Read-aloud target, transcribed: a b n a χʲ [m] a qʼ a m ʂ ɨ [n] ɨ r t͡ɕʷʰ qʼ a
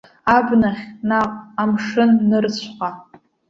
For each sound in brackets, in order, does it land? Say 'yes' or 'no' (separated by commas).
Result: no, no